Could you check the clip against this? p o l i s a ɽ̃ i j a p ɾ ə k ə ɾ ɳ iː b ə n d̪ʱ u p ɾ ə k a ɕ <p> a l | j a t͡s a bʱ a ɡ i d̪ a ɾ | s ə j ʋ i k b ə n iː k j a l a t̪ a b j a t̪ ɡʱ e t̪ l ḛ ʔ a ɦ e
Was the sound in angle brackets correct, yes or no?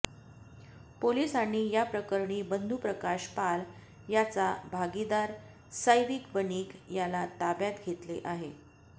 yes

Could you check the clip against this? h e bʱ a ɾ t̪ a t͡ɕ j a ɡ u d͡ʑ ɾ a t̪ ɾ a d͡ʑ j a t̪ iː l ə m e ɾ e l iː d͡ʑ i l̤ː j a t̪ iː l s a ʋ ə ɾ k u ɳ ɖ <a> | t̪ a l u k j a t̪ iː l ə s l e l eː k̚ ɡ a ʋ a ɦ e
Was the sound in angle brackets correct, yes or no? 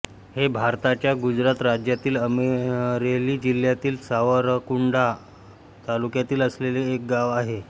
yes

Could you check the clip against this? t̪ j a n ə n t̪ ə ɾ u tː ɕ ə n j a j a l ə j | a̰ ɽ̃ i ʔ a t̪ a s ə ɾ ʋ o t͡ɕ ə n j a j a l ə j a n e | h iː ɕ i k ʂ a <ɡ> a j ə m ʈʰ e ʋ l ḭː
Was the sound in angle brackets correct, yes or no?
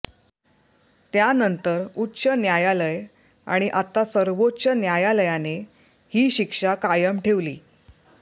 no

